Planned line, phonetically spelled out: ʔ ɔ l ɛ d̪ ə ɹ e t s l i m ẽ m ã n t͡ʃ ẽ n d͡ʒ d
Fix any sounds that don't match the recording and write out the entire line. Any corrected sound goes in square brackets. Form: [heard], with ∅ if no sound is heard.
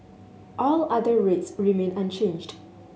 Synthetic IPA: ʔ ɔ l [a] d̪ ə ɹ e t s [ɹ] i m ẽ [n] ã n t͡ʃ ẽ n d͡ʒ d